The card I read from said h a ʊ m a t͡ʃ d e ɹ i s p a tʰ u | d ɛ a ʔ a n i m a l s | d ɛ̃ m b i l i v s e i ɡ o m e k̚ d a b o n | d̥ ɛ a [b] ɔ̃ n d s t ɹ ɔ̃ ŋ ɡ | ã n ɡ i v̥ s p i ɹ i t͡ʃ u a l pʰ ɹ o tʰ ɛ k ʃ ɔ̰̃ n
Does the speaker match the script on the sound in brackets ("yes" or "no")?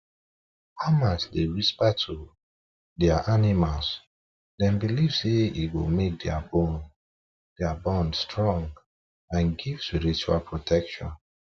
yes